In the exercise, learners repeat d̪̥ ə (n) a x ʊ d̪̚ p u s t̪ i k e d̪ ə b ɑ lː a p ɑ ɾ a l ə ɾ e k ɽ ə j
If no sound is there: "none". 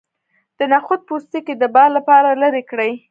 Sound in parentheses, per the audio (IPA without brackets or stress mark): n